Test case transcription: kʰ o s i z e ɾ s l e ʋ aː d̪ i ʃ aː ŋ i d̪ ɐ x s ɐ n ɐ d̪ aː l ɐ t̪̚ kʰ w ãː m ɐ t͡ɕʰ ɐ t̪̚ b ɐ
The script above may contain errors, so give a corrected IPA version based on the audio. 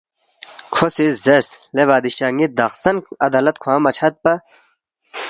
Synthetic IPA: kʰ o s i z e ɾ s l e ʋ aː d̪ i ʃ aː ŋ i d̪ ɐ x s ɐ n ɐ d̪ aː l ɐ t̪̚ kʰ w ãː m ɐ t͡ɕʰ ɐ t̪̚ p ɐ